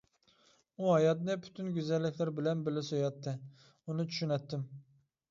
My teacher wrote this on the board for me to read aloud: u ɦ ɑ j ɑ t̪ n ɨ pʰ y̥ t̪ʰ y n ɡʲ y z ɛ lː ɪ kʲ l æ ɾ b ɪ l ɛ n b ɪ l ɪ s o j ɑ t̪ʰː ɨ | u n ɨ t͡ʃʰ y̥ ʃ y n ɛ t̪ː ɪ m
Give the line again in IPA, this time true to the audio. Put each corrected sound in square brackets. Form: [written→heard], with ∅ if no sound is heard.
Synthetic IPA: u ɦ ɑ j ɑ t̪ n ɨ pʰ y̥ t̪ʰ y n ɡʲ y z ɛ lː ɪ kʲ l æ ɾ b ɪ l ɛ n b ɪ l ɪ s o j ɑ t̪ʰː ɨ | u n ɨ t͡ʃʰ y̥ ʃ y n ɛ t̪ː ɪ m